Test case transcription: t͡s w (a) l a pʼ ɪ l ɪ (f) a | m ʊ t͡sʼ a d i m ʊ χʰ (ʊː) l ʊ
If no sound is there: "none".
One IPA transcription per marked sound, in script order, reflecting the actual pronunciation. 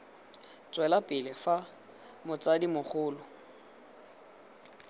ɛ, f, ʊː

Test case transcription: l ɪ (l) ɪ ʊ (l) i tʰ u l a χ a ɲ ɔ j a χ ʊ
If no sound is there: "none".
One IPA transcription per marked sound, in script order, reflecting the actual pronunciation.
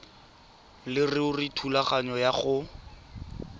r, r

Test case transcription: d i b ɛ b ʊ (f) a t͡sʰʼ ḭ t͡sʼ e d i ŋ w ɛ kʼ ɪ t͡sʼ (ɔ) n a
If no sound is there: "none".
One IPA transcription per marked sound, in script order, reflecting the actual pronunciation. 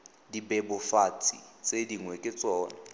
f, ɔː

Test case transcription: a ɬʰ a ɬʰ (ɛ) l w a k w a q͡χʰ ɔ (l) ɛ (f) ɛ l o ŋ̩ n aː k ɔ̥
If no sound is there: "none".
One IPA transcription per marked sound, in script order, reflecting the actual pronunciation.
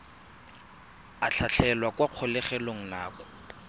ɛ, l, χ

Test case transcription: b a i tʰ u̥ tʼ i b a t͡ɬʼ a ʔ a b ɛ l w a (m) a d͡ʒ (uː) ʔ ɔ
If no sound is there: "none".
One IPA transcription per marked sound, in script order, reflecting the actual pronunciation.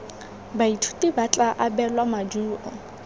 m, uː

